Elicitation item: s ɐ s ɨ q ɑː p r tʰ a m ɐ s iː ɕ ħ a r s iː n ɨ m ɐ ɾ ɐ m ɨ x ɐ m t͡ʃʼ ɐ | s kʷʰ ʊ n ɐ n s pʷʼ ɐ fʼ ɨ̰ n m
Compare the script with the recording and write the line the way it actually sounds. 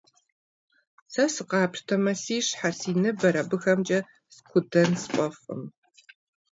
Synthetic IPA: s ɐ s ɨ q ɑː p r tʰ ɐ m ɐ s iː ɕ ħ a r s iː n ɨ b ɐ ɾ ɐ b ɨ x ɐ m t͡ʃʼ ɐ | s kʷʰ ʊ d ɐ n s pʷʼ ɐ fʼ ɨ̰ m

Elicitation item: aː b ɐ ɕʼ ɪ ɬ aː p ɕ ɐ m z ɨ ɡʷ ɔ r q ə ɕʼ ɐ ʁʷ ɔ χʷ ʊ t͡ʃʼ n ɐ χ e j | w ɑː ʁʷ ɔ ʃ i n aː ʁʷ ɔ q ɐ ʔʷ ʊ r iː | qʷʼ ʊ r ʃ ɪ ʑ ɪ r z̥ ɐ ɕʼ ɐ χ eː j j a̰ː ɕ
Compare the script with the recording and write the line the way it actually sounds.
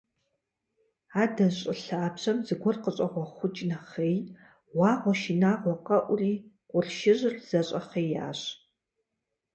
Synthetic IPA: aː d ɐ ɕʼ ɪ ɬ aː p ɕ ɐ m z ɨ ɡʷ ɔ r q ə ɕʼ ɐ ʁʷ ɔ χʷ ʊ t͡ʃʼ n ɐ χ e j | w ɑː ʁʷ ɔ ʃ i n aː ʁʷ ɔ q ɐ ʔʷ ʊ r iː | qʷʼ ʊ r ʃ ɪ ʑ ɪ r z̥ ɐ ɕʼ ɐ χ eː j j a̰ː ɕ

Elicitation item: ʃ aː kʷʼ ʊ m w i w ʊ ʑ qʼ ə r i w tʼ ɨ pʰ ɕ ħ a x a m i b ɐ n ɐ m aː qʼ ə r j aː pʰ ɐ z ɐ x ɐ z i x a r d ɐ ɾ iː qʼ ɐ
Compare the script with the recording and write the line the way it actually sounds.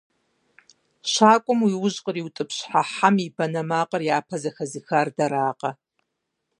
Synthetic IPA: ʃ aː kʷʼ ʊ m w i w ʊ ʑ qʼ ə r i w tʼ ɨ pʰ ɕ ħ a ħ a m i b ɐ n ɐ m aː qʼ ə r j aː pʰ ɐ z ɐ x ɐ z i x a r d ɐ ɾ aː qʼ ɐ

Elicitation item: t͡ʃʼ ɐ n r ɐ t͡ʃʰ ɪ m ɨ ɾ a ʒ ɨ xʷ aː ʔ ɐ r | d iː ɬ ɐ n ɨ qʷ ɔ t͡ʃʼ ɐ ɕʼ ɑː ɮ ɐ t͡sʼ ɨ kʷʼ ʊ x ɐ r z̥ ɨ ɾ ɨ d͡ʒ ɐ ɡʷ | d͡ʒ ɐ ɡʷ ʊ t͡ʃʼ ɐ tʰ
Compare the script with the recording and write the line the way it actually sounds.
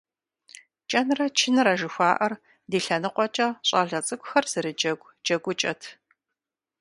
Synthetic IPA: t͡ʃʼ ɐ n r ɐ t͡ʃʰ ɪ n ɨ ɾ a ʒ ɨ xʷ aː ʔ ɐ r | d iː ɬ ɐ n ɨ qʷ ɔ t͡ʃʼ ɐ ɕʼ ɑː ɮ ɐ t͡sʼ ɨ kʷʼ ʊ x ɐ r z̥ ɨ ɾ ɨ d͡ʒ ɐ ɡʷ | d͡ʒ ɐ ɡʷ ʊ t͡ʃʼ ɐ tʰ

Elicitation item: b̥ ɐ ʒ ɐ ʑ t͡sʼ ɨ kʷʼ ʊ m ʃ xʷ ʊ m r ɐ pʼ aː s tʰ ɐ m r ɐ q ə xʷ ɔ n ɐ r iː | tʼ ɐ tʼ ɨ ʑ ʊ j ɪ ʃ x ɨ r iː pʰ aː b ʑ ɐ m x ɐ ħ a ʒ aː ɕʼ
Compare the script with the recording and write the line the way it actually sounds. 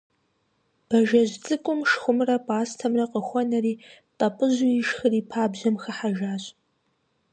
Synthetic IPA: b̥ ɐ ʒ ɐ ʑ t͡sʼ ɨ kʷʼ ʊ m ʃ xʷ ʊ m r ɐ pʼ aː s tʰ ɐ m r ɐ q ə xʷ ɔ n ɐ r iː | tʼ ɐ pʼ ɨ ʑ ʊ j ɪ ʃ x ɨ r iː pʰ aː b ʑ ɐ m x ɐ ħ a ʒ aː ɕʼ

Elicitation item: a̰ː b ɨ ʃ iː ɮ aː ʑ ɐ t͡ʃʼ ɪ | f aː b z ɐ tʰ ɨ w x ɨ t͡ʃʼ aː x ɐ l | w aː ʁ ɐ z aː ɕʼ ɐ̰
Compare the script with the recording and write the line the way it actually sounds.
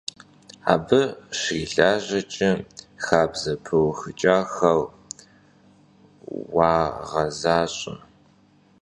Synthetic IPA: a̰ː b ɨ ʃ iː ɮ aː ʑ ɐ t͡ʃʼ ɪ | x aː b z ɐ pʰ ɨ w x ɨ t͡ʃʼ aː x ɐ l | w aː ʁ ɐ z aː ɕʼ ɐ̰

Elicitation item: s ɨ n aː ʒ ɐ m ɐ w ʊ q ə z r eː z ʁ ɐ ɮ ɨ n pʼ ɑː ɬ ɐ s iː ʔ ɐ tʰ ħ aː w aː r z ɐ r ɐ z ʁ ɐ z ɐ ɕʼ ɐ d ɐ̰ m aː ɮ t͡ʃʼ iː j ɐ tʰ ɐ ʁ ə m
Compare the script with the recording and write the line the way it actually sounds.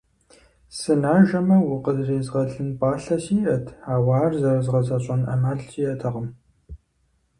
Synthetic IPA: s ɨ n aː ʒ ɐ m ɐ w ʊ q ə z r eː z ʁ ɐ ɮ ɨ n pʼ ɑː ɬ ɐ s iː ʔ ɐ tʰ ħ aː w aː r z ɐ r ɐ z ʁ ɐ z ɐ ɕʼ ɐ n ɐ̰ m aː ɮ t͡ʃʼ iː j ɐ tʰ ɐ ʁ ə m

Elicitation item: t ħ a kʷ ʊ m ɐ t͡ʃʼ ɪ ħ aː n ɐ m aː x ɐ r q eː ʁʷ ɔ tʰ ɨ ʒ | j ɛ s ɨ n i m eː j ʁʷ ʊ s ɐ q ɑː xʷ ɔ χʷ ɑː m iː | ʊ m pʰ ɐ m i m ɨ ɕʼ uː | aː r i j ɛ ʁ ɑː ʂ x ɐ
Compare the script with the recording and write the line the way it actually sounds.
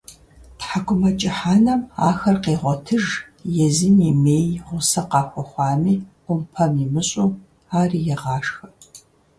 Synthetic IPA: t ħ a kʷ ʊ m ɐ t͡ʃʼ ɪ ħ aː n ɐ m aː x ɐ r q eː ʁʷ ɔ tʰ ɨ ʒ | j ɛ z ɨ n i m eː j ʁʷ ʊ s ɐ q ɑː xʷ ɔ χʷ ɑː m iː | ʊ m pʰ ɐ m i m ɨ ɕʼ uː | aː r i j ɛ ʁ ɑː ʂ x ɐ

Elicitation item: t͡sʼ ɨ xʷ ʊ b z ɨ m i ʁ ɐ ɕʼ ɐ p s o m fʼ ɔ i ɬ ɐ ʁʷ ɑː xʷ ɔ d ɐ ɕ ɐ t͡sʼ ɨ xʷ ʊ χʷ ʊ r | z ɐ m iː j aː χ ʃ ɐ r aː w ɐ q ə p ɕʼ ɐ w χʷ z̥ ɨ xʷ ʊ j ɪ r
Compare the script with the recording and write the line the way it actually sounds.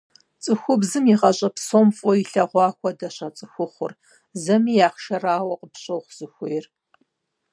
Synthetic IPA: t͡sʼ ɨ xʷ ʊ b z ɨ m i ʁ ɐ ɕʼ ɐ p s o m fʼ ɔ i ɬ ɐ ʁʷ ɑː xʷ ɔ d ɐ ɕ ɐ t͡sʼ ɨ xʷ ʊ χʷ ʊ r | z ɐ m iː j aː χ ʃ ɐ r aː w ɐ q ə p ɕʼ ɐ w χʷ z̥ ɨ xʷ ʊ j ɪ r

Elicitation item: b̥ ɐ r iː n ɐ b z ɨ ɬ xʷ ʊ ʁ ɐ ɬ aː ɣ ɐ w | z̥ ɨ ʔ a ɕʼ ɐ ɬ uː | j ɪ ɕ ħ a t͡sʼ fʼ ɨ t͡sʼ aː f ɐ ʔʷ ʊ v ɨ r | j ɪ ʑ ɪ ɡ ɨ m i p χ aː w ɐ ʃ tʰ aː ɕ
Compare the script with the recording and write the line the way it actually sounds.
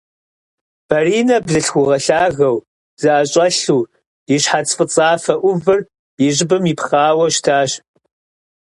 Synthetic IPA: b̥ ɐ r iː n ɐ b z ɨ ɬ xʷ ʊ ʁ ɐ ɬ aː ɣ ɐ w | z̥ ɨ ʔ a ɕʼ ɐ ɬ uː | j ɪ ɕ ħ a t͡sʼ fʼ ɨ t͡sʼ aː f ɐ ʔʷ ʊ v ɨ r | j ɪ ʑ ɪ b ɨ m i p χ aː w ɐ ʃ tʰ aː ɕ

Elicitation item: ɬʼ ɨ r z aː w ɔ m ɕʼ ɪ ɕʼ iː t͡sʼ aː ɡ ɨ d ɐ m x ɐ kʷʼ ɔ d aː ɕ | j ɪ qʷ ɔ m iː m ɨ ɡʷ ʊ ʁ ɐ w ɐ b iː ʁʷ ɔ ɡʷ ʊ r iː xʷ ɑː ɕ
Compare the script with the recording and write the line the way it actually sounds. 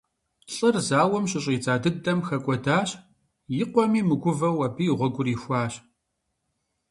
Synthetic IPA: ɬʼ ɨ r z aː w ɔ m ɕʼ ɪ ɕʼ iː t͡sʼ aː d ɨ d ɐ m x ɐ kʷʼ ɔ d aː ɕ | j ɪ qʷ ɔ m iː m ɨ ɡʷ ʊ v ɐ w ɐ b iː ʁʷ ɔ ɡʷ ʊ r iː xʷ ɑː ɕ

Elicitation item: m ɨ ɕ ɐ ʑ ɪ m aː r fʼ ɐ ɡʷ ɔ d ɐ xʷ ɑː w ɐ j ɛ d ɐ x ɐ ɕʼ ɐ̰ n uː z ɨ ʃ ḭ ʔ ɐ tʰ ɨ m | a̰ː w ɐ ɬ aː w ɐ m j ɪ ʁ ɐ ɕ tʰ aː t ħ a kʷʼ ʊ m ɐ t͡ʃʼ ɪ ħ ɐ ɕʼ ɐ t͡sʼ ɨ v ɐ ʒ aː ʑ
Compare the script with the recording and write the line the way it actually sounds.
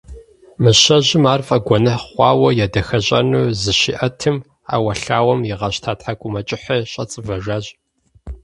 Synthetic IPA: m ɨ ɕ ɐ ʑ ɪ m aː r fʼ ɐ ɡʷ ɔ n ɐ χʷ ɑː w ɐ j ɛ d ɐ x ɐ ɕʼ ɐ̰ n uː z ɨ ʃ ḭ ʔ ɐ tʰ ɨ m | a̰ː w ɐ ɬ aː w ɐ m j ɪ ʁ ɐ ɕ tʰ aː t ħ a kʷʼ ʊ m ɐ t͡ʃʼ ɪ ħ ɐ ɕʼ ɐ t͡sʼ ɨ v ɐ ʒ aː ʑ

